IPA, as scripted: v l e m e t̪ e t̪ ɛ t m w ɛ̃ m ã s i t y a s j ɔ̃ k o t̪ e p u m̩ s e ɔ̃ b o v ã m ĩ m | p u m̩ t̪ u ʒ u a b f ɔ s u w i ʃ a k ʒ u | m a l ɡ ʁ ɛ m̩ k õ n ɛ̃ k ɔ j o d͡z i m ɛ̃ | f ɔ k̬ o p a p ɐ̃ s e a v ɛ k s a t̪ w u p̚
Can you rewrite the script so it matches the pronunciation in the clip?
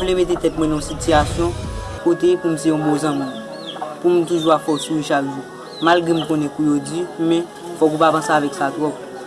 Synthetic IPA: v l e m e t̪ e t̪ ɛ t m w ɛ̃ n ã s i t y a s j ɔ̃ k o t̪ e p u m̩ s e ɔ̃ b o z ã m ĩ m | p u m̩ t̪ u ʒ u a f ɔ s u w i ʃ a k ʒ u | m a l ɡ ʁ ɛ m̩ k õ n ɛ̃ k u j o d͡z i m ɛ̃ | f ɔ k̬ u p a p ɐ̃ s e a v ɛ k s a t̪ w ɔ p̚